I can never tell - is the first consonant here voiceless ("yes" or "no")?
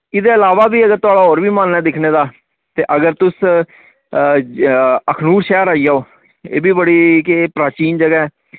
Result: no